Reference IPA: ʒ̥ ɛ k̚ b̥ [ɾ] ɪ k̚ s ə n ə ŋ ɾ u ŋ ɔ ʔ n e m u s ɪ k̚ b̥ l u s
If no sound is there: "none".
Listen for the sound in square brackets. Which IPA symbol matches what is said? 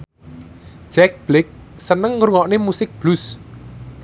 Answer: l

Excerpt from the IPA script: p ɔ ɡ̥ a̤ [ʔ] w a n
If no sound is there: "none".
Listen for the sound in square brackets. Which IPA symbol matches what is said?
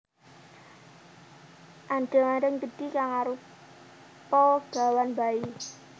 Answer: none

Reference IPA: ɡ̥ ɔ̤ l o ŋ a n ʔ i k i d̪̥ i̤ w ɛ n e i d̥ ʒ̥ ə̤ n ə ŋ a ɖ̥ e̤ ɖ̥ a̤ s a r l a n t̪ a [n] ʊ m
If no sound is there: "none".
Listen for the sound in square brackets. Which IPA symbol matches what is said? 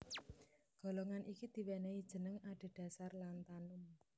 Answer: n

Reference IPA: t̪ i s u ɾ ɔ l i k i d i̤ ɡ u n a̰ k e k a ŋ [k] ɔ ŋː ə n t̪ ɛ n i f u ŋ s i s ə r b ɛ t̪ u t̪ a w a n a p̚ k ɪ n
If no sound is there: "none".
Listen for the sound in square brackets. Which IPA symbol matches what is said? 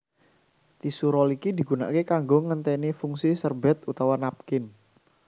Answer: ɡ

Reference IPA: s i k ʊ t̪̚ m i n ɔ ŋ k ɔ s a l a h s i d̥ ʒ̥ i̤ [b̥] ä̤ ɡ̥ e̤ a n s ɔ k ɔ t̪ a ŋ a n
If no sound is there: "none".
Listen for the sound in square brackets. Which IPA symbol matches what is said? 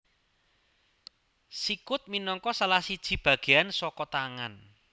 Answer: b̥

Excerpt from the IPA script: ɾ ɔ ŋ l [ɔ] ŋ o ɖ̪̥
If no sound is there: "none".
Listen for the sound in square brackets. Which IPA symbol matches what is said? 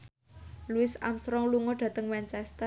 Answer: u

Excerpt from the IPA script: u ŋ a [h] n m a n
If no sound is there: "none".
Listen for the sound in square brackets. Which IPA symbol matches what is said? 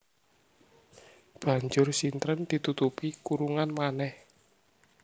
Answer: none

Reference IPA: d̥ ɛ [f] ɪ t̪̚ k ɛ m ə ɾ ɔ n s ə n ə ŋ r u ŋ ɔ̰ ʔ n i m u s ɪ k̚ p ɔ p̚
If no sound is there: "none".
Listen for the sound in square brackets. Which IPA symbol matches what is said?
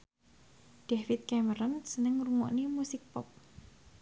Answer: f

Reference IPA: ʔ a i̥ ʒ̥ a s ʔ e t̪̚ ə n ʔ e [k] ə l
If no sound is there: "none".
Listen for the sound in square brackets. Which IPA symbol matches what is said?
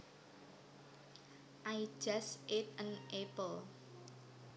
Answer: p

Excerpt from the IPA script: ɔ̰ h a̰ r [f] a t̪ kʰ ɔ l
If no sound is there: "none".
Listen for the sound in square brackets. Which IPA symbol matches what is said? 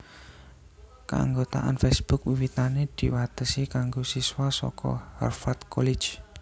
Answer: f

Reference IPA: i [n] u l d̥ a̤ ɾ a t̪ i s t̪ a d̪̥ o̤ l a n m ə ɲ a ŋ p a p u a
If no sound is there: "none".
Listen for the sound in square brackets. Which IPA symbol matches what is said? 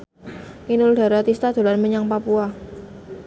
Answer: n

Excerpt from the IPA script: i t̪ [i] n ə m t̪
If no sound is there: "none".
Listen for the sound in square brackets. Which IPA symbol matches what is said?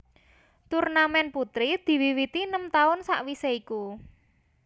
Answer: i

